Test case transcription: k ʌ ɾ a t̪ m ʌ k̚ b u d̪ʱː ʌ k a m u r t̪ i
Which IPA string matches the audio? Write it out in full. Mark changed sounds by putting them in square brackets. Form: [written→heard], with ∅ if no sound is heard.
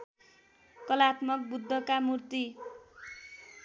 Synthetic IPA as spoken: k ʌ [ɾ→l] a t̪ m ʌ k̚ b u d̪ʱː ʌ k a m u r t̪ i

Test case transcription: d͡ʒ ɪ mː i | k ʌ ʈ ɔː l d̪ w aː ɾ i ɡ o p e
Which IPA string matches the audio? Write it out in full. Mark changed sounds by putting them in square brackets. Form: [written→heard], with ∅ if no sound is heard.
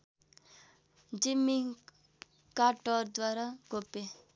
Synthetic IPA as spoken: d͡ʒ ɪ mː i | k [ʌ→a] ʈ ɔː [l→ɾ] d̪ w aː ɾ [i→a] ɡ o p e

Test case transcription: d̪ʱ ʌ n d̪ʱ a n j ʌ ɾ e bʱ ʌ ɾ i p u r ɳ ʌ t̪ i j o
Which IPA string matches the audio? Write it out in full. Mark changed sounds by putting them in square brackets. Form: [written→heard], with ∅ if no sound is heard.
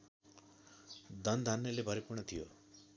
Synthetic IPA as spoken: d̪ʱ ʌ n d̪ʱ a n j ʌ [ɾ→l] e bʱ ʌ ɾ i p u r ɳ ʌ [t̪→t̪ʰ] i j o

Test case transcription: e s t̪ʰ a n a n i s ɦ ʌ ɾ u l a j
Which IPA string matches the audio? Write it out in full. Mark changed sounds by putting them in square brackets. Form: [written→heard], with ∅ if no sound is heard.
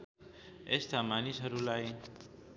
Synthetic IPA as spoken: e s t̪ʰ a [n→m] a n i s ɦ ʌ ɾ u l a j

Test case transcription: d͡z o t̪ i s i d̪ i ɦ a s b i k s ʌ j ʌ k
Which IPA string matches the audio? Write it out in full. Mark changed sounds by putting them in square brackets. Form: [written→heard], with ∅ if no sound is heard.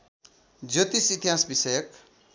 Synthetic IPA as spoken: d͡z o t̪ i s i [d̪→t̪] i ɦ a s b i [k→∅] s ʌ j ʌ k

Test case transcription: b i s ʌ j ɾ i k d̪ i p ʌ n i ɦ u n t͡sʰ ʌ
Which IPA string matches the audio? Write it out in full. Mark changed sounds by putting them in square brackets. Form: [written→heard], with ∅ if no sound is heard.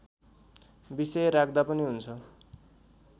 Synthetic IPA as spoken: b i s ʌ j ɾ [i→a] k d̪ [i→a] p ʌ n i ɦ u n t͡sʰ ʌ

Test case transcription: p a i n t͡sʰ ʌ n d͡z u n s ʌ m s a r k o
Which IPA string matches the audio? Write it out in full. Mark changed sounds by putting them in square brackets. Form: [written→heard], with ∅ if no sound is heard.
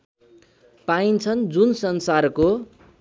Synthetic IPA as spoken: p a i n t͡sʰ ʌ n d͡z u n s ʌ [m→n] s a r k o

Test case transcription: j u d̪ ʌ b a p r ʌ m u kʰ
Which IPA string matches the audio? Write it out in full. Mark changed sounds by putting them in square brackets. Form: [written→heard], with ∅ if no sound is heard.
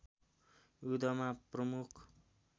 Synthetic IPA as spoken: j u d̪ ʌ [b→m] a p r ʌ m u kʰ

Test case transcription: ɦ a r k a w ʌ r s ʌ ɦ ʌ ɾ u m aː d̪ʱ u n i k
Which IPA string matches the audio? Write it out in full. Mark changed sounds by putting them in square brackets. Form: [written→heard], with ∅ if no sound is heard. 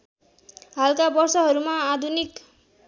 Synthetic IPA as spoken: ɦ a [r→l] k a [w→b] ʌ r s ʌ ɦ ʌ ɾ u m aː d̪ʱ u n i k

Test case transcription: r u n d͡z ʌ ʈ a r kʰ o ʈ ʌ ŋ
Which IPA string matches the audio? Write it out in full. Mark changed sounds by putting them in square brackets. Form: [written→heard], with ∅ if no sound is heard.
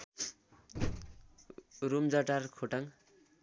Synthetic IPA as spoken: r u [n→m] d͡z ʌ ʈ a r kʰ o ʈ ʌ ŋ

